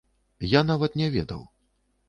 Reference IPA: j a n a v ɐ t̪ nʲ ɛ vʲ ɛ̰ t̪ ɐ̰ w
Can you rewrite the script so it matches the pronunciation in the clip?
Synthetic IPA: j a n a v ɐ t̪ nʲ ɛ vʲ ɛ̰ d̪ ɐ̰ w